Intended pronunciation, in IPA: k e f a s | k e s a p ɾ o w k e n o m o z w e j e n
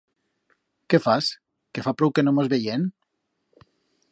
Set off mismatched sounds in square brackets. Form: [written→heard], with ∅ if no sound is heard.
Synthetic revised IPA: k e f a s | k e [s→f] a p ɾ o w k e n o m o z [w→β] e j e n